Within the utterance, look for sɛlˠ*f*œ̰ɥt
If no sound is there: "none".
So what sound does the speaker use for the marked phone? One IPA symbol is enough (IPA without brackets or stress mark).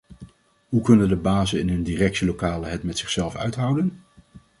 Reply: f